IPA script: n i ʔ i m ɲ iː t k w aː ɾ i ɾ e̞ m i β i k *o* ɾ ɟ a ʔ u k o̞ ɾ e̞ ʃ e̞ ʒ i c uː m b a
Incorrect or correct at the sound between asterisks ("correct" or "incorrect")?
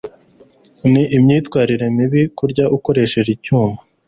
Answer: incorrect